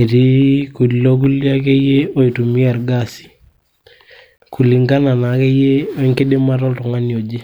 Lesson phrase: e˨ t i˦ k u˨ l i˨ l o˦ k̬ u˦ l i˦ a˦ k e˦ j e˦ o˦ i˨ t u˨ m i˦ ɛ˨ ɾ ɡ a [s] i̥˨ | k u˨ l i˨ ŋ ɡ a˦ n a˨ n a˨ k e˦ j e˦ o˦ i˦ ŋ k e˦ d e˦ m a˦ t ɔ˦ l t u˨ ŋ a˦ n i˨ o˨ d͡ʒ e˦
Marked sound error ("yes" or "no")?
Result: no